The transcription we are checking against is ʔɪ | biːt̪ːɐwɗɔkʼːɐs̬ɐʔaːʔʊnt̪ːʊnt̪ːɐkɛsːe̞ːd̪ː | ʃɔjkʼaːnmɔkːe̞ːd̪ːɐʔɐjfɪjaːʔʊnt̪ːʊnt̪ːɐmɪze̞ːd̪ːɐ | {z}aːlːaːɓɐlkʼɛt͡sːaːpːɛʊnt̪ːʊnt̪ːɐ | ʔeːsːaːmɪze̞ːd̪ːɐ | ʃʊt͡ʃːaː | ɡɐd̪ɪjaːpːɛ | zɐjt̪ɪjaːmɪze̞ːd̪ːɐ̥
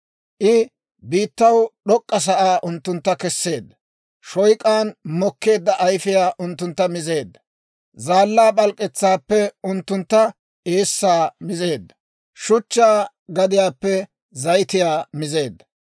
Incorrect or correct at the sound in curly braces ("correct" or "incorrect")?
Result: correct